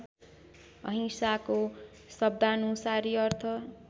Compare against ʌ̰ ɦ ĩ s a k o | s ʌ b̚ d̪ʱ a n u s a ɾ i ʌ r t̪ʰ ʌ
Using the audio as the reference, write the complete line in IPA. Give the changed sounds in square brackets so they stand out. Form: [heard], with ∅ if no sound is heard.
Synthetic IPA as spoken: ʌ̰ ɦ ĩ s a k o | s ʌ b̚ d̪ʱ a n u s a ɾ i ʌ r t̪ʰ ʌ